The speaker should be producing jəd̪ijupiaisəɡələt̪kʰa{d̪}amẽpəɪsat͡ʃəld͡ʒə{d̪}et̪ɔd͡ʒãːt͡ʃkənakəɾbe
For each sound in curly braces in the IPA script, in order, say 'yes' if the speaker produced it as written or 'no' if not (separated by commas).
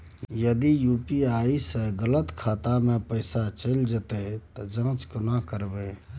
no, no